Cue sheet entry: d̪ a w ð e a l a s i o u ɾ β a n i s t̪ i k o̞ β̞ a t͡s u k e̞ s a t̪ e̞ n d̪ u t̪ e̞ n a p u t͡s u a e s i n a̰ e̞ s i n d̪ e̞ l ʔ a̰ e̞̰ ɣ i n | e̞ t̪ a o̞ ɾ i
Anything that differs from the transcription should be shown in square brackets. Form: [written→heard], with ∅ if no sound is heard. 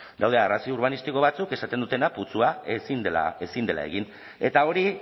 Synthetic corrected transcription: d̪ a w ð e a [l→r] a s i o u ɾ β a n i s t̪ i k o̞ β̞ a t͡s u k e̞ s a t̪ e̞ n d̪ u t̪ e̞ n a p u t͡s u a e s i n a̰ e̞ s i n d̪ e̞ l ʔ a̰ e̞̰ ɣ i n | e̞ t̪ a o̞ ɾ i